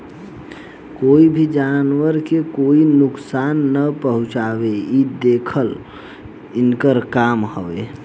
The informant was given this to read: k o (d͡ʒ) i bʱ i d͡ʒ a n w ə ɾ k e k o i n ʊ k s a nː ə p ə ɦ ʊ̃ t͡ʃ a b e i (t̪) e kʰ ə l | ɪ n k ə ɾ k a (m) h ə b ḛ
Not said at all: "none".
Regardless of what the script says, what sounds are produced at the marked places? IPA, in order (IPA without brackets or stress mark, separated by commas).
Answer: none, d̪, m